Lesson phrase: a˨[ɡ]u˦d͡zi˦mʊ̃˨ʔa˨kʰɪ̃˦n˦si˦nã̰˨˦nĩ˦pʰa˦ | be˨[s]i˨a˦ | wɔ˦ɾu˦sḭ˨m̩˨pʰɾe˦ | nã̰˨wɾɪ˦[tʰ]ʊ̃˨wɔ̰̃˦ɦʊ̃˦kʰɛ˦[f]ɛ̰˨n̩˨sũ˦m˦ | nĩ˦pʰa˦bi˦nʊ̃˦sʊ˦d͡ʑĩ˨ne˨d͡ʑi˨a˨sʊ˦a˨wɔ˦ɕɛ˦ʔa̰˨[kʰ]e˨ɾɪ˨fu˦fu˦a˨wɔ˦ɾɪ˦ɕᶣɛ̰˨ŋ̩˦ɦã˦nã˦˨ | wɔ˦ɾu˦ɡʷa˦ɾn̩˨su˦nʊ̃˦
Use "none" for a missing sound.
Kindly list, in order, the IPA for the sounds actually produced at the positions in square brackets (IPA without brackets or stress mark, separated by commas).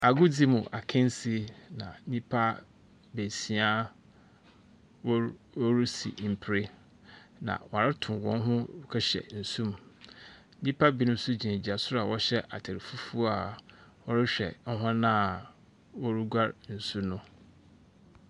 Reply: ɡ, s, tʰ, ɕ, tʰ